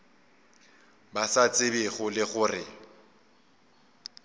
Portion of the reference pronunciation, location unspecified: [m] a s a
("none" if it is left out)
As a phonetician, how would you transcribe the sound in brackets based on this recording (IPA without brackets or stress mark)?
b